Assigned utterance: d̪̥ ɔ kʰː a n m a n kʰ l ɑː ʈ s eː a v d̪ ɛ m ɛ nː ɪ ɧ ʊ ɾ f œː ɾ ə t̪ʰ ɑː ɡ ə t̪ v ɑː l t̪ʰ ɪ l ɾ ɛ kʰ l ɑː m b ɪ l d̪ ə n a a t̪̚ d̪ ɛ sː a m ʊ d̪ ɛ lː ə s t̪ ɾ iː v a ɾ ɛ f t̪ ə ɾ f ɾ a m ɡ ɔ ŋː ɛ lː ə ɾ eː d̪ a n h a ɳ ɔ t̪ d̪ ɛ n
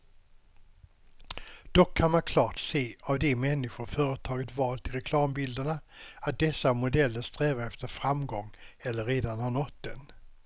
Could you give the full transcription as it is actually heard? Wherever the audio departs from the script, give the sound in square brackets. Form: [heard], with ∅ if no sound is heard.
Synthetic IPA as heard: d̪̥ ɔ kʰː a n m a n kʰ l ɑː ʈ s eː a v d̪ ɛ m ɛ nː ɪ ɧ ʊ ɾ f œː ɾ ə t̪ʰ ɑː ɡ ə t̪ v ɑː l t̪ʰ ɪ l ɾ ɛ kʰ l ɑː m b ɪ l d̪ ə [ɳ] a a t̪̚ d̪ ɛ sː a m ʊ d̪ ɛ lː ə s t̪ ɾ [ɛː] v a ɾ ɛ f t̪ ə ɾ f ɾ a m ɡ ɔ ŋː ɛ lː ə ɾ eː d̪ a n h a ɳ ɔ t̪ d̪ ɛ n